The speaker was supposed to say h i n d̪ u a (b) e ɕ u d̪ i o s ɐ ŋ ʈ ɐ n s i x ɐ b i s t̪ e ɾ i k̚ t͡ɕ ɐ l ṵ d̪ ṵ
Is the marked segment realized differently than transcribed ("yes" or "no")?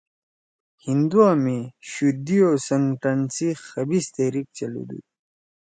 yes